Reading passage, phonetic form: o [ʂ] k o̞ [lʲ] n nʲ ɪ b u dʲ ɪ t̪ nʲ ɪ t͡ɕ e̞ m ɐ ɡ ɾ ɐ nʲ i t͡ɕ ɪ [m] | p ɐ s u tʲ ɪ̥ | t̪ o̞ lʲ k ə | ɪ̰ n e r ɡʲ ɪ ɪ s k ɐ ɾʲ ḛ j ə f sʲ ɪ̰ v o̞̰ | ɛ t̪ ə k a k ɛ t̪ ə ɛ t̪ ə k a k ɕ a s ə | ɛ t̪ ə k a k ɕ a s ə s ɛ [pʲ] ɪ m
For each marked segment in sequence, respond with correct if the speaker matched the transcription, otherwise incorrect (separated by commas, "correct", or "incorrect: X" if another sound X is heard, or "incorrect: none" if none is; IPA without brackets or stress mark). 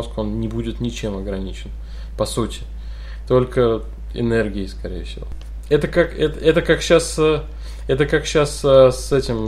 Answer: incorrect: s, incorrect: none, incorrect: n, incorrect: tʲ